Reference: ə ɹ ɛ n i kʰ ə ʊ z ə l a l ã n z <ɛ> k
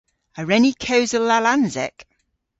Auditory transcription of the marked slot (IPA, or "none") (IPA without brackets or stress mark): ɛ